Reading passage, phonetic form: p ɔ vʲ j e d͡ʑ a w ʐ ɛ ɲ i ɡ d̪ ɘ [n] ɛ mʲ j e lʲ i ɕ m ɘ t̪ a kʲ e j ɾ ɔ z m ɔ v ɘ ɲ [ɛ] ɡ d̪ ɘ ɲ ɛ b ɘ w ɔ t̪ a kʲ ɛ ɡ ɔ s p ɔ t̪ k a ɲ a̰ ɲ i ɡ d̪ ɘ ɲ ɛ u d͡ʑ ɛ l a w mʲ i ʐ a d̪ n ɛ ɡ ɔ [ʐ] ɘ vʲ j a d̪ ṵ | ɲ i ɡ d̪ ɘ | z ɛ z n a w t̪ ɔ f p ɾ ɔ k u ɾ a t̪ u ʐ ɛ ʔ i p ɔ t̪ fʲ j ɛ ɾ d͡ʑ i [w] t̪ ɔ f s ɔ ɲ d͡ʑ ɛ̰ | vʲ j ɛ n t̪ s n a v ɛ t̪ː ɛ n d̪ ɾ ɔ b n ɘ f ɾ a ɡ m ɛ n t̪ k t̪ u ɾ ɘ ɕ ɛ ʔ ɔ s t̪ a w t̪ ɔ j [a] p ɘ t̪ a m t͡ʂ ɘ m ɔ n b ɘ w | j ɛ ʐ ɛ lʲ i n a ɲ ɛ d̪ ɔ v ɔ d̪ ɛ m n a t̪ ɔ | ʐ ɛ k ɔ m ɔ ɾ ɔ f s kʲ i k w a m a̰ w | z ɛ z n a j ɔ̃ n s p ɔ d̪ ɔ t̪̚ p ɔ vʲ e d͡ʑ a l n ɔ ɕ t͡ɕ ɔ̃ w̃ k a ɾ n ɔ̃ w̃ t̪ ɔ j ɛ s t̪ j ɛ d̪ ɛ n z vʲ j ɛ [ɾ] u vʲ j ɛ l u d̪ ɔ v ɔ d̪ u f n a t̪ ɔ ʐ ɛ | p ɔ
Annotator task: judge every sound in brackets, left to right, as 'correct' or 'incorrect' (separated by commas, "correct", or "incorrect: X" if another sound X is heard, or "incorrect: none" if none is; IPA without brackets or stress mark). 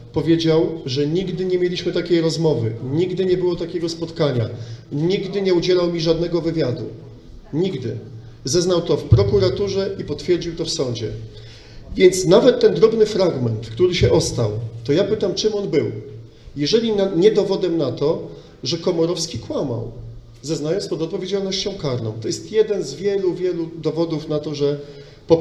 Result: incorrect: ɲ, incorrect: i, incorrect: v, correct, correct, incorrect: l